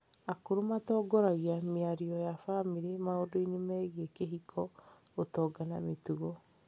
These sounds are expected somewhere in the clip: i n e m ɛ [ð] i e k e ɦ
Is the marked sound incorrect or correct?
incorrect: ɣ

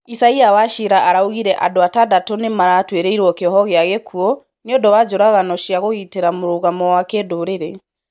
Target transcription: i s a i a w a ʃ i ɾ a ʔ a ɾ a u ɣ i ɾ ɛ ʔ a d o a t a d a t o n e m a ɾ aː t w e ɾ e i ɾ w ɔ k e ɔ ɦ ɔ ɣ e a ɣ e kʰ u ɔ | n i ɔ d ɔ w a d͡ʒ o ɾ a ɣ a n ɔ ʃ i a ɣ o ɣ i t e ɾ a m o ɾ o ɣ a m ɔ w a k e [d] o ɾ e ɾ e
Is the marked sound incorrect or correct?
correct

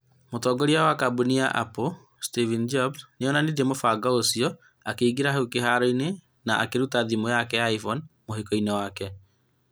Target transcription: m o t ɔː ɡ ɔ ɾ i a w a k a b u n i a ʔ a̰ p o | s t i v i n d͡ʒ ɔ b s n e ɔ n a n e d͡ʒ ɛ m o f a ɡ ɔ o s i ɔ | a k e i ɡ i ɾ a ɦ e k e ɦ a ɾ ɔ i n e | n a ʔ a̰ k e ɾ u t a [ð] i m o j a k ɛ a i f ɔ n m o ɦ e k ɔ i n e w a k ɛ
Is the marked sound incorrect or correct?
correct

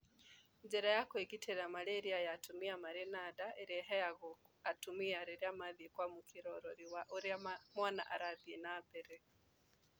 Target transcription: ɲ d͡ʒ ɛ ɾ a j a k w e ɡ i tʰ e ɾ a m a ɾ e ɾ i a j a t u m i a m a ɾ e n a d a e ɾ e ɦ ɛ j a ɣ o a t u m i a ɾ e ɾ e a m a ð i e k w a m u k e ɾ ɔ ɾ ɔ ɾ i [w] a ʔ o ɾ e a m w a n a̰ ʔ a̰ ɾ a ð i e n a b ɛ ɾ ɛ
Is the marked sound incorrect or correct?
correct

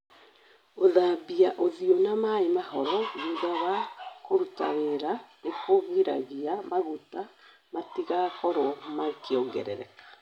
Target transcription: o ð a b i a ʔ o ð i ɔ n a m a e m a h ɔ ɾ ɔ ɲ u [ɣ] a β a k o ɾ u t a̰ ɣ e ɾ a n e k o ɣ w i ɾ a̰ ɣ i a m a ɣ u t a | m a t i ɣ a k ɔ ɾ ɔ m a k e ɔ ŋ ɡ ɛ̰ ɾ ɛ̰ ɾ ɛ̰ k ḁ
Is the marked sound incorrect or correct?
incorrect: ð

